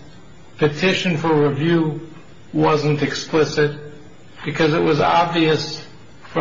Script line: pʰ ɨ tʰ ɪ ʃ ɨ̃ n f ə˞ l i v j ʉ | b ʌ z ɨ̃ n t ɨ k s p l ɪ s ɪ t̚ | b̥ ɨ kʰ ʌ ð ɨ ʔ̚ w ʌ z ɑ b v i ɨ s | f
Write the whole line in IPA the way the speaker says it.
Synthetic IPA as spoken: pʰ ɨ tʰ ɪ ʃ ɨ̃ n f ə˞ ɹ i v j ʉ | w ʌ z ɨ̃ n t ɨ k s p l ɪ s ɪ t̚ | b̥ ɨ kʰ ʌ z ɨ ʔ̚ w ʌ z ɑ b v i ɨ s | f